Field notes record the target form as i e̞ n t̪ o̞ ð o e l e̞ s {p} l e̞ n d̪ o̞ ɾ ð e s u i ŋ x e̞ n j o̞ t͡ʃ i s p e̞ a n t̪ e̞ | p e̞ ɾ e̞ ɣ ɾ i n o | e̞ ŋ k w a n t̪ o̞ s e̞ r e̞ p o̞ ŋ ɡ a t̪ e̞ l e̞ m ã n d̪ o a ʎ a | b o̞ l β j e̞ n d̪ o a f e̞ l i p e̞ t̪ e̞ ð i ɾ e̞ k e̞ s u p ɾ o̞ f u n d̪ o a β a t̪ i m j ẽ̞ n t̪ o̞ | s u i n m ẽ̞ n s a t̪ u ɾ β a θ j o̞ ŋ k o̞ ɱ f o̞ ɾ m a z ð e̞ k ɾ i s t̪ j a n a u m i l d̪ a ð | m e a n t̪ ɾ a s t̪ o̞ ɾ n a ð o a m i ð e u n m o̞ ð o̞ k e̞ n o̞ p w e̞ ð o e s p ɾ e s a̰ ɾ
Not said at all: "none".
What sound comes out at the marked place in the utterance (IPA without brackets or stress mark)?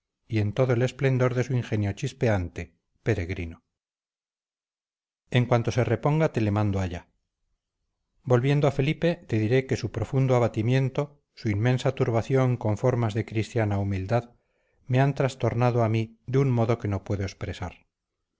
p